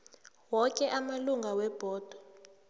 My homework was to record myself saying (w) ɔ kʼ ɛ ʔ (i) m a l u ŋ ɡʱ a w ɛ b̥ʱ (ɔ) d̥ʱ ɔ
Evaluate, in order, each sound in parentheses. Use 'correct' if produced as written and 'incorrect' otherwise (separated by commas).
correct, incorrect, incorrect